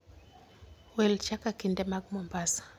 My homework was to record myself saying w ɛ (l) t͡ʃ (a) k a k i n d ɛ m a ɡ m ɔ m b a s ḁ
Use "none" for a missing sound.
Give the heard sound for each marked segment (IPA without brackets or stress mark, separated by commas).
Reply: l, a